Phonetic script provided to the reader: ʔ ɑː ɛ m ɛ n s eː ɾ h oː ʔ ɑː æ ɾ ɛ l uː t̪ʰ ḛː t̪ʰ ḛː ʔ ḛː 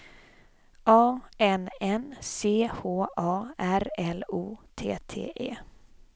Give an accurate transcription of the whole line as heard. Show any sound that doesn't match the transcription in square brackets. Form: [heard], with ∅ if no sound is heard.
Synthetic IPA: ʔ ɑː ɛ [n] ɛ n s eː [∅] h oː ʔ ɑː æ ɾ ɛ l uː t̪ʰ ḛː t̪ʰ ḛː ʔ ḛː